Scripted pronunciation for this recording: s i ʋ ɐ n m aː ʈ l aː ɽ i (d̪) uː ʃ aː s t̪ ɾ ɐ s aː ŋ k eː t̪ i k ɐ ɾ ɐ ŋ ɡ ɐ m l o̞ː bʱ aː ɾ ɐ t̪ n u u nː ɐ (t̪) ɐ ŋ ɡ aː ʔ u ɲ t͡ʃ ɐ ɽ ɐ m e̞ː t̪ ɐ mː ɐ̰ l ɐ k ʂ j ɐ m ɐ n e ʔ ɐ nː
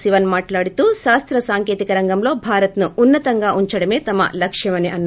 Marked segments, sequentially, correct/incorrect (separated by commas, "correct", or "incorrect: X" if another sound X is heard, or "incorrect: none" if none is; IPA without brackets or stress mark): incorrect: t̪, correct